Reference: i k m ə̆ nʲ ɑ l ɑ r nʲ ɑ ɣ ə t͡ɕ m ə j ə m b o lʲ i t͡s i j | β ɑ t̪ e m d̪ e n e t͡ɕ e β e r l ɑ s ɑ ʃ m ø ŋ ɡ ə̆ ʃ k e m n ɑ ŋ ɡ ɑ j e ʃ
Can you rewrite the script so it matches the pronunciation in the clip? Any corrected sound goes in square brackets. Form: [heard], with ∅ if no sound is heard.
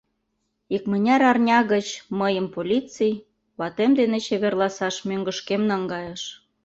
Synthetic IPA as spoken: i k m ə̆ nʲ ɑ [ɾ] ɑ r nʲ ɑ ɣ ə t͡ɕ m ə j ə m [p] o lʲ i t͡s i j | β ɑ t̪ e m d̪ e n e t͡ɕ e β e r l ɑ s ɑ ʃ m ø ŋ ɡ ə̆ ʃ k e m n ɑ ŋ ɡ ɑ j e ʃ